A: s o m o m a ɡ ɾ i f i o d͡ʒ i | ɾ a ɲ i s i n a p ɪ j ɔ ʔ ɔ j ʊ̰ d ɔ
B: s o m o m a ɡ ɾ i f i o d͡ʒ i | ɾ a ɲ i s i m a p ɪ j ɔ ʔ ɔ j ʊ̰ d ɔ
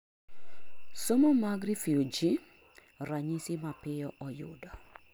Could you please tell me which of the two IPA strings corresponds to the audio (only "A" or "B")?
B